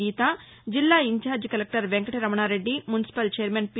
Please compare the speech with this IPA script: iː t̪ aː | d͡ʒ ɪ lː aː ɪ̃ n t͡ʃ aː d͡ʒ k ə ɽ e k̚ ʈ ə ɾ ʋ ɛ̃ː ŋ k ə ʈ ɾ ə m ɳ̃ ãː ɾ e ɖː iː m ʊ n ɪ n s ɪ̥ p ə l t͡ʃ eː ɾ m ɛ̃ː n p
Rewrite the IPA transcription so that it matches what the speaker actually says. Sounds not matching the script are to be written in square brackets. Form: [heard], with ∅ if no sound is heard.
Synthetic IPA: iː t̪ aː | d͡ʒ ɪ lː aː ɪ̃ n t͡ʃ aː d͡ʒ k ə [l] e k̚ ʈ ə ɾ ʋ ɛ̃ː ŋ k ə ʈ ɾ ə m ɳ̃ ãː ɾ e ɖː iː m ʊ n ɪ [∅] s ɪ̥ p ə l t͡ʃ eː ɾ m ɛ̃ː n p

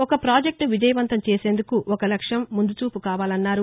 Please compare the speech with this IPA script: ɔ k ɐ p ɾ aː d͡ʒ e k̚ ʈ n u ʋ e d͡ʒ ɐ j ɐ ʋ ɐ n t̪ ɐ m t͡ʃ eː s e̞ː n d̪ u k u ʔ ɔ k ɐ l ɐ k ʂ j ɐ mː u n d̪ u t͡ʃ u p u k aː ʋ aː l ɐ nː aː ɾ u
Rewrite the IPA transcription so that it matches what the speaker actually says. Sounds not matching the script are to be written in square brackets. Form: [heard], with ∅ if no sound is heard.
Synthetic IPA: ɔ k ɐ p ɾ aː d͡ʒ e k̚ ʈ n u ʋ [i] d͡ʒ ɐ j ɐ ʋ ɐ n t̪ ɐ m t͡ʃ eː s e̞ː n d̪ u k u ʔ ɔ k ɐ l ɐ k ʂ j ɐ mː u n d̪ u t͡ʃ [uː] p u k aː ʋ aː l ɐ nː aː ɾ u

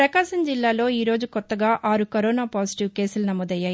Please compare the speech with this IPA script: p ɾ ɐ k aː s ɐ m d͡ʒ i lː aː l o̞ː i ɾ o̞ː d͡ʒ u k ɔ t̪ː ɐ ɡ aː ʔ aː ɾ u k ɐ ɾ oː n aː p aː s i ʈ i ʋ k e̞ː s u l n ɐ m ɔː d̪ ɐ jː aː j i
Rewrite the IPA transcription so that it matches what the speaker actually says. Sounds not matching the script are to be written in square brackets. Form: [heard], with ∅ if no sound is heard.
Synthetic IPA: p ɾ ɐ k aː [ʃ] ɐ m d͡ʒ i lː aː l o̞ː [iː] ɾ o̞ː d͡ʒ u k ɔ t̪ː ɐ ɡ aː ʔ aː ɾ u k ɐ ɾ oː n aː p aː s i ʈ i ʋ k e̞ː s u l n ɐ m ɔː d̪ ɐ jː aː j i

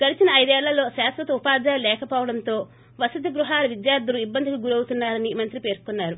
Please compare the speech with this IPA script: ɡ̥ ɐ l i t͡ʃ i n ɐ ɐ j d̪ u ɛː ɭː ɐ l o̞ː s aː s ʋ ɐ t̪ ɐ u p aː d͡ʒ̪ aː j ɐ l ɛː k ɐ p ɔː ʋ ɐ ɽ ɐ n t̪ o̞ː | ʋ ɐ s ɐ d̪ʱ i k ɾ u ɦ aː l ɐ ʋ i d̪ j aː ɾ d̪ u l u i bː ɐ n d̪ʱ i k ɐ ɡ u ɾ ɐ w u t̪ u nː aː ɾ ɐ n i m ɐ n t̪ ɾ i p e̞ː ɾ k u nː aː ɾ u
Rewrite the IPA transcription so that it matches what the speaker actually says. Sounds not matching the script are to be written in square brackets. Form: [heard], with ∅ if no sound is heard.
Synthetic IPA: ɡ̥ ɐ l i t͡ʃ i n ɐ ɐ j d̪ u ɛː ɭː ɐ l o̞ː [ʃ] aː s ʋ ɐ t̪ ɐ u p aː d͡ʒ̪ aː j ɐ l ɛː k ɐ p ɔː ʋ ɐ ɽ ɐ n t̪ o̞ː | ʋ ɐ s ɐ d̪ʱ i [ɡ] ɾ u ɦ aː l ɐ ʋ i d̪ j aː ɾ d̪ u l u i bː ɐ n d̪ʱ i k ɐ ɡ u ɾ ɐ w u t̪ u nː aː ɾ ɐ n i m ɐ n t̪ ɾ i p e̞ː ɾ k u nː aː ɾ u

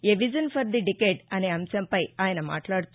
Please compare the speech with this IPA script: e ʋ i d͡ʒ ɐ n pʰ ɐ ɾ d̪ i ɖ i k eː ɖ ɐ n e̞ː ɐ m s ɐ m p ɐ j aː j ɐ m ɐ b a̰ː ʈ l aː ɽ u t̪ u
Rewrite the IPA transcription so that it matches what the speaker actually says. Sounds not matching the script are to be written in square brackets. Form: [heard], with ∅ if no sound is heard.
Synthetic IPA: e ʋ i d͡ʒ ɐ n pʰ ɐ ɾ d̪ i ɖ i k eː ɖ ɐ n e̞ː ɐ m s ɐ m p ɐ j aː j ɐ [n] ɐ [m] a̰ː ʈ l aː ɽ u t̪ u

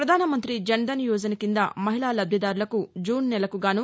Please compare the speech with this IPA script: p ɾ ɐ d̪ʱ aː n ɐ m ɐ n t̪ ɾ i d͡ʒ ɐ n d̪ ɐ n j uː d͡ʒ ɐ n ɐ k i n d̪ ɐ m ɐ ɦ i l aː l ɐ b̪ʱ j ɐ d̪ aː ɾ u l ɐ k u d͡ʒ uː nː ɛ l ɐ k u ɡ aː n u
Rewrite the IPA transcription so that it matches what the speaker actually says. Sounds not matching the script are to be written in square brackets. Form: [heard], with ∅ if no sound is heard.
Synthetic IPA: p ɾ ɐ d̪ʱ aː n ɐ m ɐ n t̪ ɾ i d͡ʒ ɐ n d̪ ɐ n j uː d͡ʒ ɐ n ɐ k i n d̪ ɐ m ɐ ɦ i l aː l ɐ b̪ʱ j ɐ d̪ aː ɾ u l ɐ k u d͡ʒ uː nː ɛ l ɐ k u ɡ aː n u

